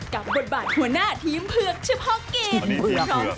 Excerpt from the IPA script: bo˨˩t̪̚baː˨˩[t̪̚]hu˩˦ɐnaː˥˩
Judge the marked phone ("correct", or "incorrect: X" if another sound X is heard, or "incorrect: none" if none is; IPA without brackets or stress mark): correct